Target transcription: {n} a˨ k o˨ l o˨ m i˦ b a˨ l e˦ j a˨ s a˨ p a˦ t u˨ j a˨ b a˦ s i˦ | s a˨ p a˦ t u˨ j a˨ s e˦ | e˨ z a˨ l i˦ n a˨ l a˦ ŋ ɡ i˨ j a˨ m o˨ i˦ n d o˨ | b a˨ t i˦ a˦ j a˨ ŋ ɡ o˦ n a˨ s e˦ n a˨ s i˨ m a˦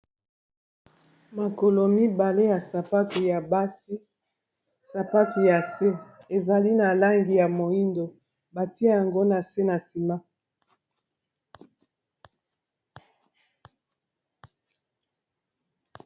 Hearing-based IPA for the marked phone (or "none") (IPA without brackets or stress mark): m